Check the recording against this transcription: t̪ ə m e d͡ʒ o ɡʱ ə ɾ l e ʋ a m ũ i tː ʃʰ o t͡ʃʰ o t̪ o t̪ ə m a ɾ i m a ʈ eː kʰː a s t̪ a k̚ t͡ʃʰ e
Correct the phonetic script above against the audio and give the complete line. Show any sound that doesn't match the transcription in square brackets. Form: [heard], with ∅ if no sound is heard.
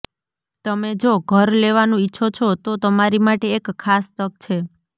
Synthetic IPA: t̪ ə m e d͡ʒ o ɡʱ ə ɾ l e ʋ a [n] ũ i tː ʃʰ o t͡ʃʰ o t̪ o t̪ ə m a ɾ i m a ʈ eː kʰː a s t̪ [ə] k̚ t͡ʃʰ e